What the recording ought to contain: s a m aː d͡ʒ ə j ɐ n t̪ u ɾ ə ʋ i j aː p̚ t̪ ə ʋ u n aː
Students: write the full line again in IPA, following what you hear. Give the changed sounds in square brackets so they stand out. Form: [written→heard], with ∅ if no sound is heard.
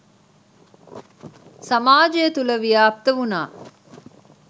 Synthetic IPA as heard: s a m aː d͡ʒ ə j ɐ [n→∅] t̪ u [ɾ→l] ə ʋ i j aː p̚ t̪ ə ʋ u n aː